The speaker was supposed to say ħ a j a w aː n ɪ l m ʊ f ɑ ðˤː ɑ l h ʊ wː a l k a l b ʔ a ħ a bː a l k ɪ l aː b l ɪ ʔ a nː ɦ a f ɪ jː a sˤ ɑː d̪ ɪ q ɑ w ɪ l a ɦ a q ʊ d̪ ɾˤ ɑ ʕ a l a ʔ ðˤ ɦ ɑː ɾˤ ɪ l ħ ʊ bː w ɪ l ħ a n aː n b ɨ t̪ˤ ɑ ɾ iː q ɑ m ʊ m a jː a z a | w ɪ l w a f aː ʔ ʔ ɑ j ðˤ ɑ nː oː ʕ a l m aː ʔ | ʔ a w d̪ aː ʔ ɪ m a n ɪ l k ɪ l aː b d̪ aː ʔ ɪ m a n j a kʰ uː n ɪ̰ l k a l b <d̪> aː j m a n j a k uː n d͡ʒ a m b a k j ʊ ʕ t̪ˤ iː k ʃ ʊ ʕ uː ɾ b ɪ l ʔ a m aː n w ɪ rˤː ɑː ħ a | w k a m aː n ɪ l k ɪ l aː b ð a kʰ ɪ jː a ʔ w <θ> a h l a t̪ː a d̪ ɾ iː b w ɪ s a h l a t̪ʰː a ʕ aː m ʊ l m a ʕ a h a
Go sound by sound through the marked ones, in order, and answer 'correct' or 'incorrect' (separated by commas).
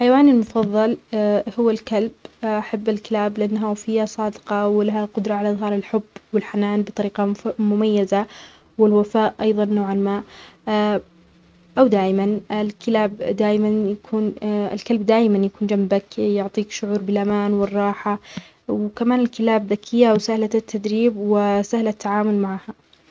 correct, incorrect